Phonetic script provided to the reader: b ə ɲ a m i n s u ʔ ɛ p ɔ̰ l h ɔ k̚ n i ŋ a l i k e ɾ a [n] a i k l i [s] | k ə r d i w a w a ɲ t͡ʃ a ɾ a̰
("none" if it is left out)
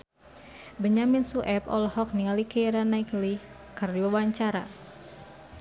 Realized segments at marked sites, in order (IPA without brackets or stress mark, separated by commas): n, none